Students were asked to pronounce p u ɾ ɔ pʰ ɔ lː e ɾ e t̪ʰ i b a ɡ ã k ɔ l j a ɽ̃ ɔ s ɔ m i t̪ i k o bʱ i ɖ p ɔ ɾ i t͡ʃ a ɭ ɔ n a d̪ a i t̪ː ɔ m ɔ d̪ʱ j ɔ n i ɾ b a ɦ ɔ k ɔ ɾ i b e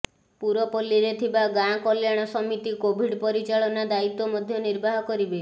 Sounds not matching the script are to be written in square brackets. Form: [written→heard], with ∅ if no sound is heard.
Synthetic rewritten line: p u ɾ ɔ [pʰ→p] ɔ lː [e→i] ɾ e t̪ʰ i b a ɡ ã k ɔ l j a ɽ̃ ɔ s ɔ m i t̪ i k o bʱ i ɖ p ɔ ɾ i t͡ʃ a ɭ ɔ n a d̪ a i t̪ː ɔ m ɔ d̪ʱ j ɔ n i ɾ b a ɦ ɔ k ɔ ɾ i b e